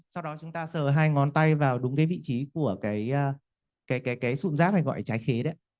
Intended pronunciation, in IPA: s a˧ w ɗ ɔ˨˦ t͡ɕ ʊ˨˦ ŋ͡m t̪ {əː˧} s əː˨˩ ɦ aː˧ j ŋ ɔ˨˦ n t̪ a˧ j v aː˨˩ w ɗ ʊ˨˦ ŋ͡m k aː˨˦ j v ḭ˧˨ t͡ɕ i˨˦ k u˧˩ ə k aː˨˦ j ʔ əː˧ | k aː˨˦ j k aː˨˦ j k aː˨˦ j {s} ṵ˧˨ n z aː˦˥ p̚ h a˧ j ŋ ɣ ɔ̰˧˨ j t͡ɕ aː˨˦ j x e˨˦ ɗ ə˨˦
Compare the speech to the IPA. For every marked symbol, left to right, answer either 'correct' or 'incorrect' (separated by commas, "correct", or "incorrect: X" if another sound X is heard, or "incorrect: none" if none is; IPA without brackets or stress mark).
incorrect: aː˧, correct